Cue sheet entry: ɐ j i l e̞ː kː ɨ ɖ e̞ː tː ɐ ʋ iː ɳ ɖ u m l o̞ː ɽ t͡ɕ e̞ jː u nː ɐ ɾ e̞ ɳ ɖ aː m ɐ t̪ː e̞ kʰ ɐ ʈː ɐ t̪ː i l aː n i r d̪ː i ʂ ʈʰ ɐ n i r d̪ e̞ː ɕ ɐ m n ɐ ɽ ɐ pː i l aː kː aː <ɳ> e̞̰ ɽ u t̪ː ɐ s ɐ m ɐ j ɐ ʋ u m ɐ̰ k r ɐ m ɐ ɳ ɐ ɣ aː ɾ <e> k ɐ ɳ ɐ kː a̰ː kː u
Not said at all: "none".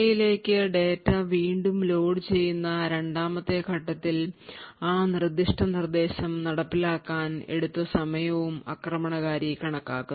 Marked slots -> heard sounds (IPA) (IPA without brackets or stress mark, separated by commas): n, i